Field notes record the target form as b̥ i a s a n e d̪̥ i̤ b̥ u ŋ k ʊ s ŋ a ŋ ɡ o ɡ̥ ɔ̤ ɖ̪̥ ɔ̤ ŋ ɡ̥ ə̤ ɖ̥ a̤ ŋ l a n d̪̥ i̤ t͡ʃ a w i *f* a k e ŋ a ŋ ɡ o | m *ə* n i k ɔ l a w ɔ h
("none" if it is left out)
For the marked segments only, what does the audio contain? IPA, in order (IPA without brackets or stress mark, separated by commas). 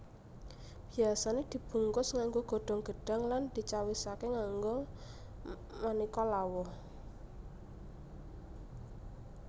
s, a